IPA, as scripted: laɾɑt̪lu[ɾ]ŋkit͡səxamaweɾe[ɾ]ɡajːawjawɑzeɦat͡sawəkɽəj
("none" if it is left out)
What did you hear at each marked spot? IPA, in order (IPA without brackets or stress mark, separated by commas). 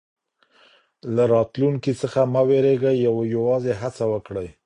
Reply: none, none